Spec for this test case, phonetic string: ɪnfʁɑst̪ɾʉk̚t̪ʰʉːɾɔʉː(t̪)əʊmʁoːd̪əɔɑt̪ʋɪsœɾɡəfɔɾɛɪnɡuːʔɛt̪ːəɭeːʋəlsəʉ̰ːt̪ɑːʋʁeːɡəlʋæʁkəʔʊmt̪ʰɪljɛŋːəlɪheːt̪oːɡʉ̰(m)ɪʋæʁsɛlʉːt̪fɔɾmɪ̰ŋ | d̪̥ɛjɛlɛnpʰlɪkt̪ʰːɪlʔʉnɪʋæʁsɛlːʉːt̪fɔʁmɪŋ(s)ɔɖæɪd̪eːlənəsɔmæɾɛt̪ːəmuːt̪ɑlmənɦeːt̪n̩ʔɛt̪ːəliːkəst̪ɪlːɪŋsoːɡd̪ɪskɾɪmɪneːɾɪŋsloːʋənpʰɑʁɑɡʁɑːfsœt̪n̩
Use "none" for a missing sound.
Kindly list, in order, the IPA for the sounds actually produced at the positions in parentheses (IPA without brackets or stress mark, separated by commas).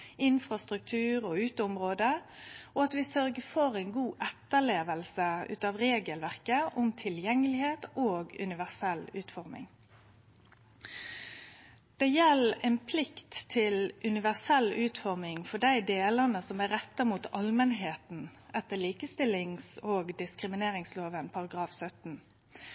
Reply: t̪, n, f